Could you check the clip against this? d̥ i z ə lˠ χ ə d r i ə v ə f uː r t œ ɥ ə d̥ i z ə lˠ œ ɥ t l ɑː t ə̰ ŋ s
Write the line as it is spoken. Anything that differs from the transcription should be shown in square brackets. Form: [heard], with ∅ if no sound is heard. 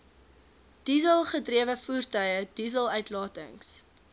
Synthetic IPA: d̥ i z ə lˠ χ ə d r i ə v ə f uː r t œ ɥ ə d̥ i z ə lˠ œ ɥ t l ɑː t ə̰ ŋ s